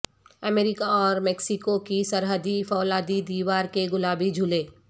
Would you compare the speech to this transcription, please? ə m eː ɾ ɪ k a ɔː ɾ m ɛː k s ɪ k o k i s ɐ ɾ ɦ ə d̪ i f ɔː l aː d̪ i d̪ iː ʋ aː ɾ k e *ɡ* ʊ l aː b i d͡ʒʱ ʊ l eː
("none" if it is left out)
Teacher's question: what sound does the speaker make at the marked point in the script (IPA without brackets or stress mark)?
ɡ